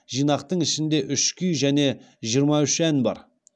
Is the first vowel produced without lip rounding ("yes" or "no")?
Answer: yes